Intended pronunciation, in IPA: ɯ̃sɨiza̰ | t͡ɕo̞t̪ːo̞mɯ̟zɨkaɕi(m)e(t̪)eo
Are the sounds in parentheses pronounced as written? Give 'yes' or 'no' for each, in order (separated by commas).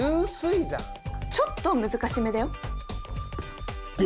yes, no